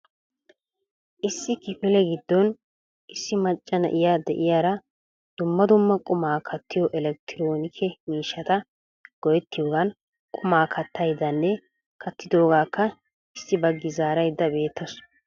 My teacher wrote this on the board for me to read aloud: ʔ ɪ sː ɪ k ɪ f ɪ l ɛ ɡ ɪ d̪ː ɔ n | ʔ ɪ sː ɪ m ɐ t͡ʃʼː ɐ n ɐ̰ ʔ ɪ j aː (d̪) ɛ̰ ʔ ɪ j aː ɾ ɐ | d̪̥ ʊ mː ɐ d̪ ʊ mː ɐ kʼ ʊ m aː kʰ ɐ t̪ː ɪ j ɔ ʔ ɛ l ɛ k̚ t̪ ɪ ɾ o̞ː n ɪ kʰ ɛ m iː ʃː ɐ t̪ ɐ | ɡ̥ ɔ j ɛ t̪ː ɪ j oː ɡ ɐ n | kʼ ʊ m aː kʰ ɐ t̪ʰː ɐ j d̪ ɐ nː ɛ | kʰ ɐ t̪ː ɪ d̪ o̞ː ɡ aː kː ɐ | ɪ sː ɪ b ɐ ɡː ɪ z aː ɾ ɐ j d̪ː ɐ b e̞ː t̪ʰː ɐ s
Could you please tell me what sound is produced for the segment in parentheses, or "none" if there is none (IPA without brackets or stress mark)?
d̪